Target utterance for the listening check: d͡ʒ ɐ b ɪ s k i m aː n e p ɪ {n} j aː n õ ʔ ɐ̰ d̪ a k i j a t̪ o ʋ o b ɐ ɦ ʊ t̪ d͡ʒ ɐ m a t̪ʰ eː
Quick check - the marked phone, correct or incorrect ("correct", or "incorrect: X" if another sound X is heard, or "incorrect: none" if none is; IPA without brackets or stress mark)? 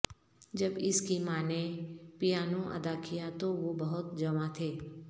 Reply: incorrect: none